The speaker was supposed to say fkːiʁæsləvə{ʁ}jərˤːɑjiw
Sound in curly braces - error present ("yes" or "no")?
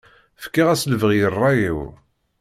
no